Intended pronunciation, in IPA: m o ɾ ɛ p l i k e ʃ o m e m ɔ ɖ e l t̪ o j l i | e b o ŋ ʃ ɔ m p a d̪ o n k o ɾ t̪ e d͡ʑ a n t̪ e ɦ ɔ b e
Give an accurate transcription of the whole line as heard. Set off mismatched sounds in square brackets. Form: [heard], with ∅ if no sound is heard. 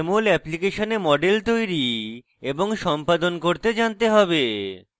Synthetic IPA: m o [l] ɛ p l i k e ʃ o [n] e m ɔ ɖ e l t̪ o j [ɾ] i | e b o ŋ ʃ ɔ m p a d̪ o n k o ɾ t̪ e d͡ʑ a n t̪ e ɦ ɔ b e

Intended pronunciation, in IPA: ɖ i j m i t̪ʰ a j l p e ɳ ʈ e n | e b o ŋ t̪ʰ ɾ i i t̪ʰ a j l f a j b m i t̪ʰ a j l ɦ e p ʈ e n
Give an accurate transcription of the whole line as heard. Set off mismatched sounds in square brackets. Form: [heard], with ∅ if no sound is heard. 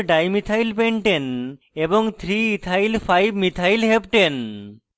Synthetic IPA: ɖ [a] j m i t̪ʰ a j l p e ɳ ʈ e n | e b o ŋ t̪ʰ ɾ i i t̪ʰ a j l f a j b m i t̪ʰ a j l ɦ e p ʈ e n

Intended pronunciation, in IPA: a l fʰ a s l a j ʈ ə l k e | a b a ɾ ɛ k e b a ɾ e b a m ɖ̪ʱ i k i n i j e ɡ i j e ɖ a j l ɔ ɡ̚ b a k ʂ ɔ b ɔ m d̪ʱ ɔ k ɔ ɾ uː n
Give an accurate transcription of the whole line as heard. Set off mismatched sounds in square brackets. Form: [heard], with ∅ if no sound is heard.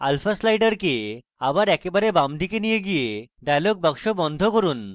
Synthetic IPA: a l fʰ a s l a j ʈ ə [ɾ] k e | a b a ɾ ɛ k e b a ɾ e b a m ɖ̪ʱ i k [e] n i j e ɡ i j e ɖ a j l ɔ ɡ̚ b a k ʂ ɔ b ɔ [n] d̪ʱ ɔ k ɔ ɾ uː n

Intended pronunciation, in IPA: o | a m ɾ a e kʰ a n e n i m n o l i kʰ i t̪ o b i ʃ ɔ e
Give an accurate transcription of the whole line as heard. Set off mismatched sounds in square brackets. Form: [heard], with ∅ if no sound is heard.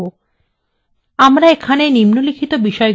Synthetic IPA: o | a m ɾ a e kʰ a n e n i m n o l i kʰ i t̪ o b i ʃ ɔ e

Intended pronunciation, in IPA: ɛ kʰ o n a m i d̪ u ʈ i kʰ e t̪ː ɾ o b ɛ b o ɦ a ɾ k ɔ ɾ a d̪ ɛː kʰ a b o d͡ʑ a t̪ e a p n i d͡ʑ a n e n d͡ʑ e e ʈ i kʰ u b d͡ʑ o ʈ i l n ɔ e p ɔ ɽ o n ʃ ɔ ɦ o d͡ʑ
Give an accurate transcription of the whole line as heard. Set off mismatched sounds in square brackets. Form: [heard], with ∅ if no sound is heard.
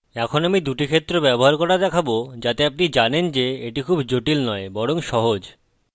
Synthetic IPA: ɛ kʰ o n a m i d̪ u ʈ i kʰ e t̪ː ɾ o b ɛ b o ɦ a ɾ k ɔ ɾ a d̪ [ɛ] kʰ a b o d͡ʑ a t̪ e a p n i d͡ʑ a n e n d͡ʑ e e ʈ i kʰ u b d͡ʑ o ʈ i l n ɔ e [b] ɔ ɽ o [ŋ] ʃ ɔ ɦ o d͡ʑ

